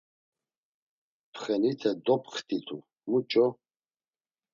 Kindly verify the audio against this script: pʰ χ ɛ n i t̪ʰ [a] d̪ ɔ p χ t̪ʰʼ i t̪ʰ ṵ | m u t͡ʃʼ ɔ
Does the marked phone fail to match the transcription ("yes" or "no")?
yes